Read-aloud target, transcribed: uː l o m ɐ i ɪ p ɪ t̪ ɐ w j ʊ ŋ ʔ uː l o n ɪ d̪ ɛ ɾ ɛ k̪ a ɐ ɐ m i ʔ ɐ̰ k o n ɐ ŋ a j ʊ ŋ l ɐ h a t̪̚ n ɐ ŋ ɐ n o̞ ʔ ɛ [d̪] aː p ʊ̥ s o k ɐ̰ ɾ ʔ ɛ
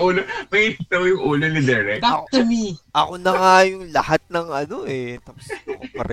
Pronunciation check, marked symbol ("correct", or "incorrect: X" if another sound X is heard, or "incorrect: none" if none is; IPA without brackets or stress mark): incorrect: t̪